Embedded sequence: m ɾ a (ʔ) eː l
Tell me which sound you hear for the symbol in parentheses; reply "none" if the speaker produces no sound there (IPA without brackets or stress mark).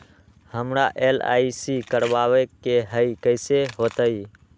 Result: ʔ